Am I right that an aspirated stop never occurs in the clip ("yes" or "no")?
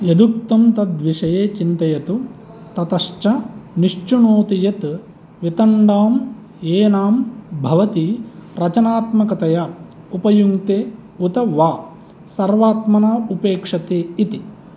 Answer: yes